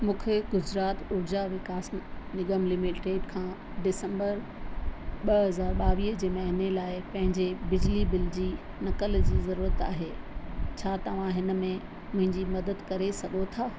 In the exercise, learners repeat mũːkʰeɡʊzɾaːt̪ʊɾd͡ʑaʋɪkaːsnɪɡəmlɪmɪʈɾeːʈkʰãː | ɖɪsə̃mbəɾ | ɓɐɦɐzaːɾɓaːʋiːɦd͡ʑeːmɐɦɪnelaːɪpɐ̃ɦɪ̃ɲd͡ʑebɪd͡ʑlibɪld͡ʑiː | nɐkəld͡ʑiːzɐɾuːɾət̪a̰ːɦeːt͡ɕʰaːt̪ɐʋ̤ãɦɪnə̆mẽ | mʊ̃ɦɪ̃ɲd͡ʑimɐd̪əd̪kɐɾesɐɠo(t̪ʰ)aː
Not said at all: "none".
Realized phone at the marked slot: t̪ʰ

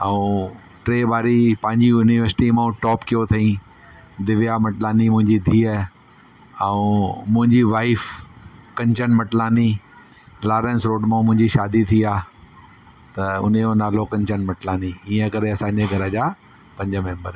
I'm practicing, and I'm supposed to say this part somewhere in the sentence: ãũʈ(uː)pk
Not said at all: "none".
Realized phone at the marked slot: ɔː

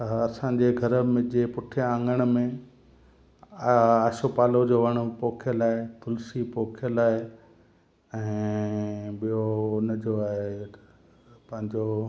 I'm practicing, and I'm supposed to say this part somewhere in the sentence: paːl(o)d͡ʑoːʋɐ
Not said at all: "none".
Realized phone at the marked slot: o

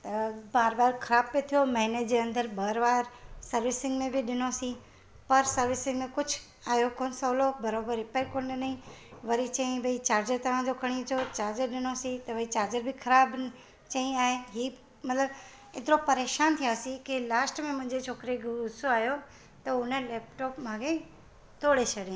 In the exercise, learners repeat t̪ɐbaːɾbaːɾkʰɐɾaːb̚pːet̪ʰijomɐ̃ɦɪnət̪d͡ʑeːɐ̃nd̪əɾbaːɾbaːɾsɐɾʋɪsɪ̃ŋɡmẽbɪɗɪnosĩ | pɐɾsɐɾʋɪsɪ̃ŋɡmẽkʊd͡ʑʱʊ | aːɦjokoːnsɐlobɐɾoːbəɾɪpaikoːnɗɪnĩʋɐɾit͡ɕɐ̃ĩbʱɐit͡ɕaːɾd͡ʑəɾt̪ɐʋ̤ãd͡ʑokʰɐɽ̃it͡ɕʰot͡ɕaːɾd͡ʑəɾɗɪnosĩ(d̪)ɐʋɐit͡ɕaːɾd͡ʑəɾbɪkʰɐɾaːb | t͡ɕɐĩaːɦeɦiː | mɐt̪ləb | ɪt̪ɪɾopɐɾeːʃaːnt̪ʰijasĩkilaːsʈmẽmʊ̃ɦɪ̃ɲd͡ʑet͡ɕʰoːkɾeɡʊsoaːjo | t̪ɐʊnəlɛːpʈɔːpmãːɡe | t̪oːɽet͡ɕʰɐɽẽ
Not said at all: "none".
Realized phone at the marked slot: t̪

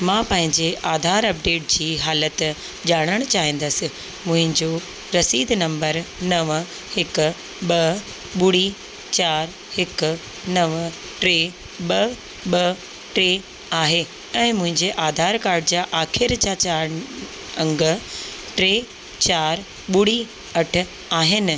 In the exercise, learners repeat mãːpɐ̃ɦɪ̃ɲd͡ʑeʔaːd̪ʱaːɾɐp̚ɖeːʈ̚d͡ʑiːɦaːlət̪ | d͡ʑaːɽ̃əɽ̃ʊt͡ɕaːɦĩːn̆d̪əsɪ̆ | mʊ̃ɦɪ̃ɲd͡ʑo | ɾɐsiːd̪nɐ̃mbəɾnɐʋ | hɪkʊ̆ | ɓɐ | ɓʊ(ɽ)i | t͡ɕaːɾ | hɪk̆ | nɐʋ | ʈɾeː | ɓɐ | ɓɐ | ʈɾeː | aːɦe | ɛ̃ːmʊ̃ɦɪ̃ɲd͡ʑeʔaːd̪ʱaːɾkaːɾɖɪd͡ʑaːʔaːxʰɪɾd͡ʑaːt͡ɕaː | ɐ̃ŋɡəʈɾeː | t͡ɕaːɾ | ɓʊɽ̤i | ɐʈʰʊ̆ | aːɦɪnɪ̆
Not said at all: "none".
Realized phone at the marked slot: ɽ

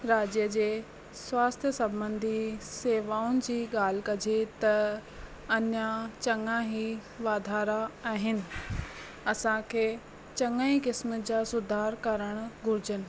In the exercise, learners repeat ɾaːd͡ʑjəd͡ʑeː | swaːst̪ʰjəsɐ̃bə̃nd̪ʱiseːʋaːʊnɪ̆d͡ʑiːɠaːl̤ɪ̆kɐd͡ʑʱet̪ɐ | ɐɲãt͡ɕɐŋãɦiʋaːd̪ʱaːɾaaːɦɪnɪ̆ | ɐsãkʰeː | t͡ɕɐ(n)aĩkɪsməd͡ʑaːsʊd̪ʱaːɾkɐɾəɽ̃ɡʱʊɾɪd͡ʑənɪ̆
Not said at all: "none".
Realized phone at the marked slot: ŋ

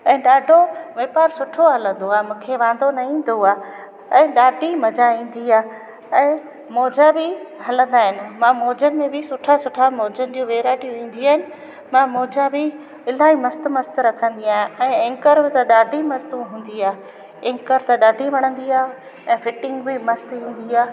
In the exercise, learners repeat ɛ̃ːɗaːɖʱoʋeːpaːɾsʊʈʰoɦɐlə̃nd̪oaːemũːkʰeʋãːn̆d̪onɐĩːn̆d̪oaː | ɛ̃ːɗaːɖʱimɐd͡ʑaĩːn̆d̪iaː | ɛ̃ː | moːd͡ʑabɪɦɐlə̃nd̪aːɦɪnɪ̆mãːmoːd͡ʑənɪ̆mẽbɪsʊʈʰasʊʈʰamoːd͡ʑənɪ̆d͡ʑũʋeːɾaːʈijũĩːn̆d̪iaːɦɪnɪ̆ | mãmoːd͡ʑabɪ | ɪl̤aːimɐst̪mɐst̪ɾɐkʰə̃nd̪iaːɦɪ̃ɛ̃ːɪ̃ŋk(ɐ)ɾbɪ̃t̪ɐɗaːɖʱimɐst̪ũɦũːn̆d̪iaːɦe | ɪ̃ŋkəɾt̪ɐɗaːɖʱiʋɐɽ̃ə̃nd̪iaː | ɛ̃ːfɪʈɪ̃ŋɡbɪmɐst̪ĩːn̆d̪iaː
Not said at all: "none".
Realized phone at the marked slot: ə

